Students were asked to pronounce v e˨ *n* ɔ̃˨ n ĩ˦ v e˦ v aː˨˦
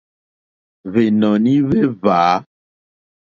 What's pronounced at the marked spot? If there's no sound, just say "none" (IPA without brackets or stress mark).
n